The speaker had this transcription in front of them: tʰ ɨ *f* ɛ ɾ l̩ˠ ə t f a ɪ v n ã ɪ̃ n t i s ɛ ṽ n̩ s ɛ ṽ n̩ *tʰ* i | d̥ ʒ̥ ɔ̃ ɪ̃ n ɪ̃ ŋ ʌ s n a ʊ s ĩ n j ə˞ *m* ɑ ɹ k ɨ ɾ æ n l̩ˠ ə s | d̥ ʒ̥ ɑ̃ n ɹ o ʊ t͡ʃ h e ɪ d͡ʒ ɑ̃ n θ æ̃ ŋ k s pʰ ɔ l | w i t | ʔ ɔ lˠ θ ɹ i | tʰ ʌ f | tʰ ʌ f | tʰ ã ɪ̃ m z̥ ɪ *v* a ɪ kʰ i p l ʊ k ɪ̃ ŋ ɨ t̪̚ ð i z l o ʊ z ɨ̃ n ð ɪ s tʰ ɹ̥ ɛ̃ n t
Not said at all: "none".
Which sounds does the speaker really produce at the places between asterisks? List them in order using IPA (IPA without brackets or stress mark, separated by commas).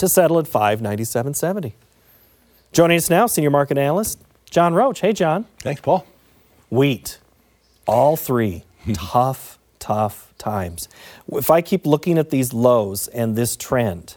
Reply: s, t, m, f